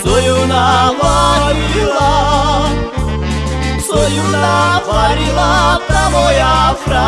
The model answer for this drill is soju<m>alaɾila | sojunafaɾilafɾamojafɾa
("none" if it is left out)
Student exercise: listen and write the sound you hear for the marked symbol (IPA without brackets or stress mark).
n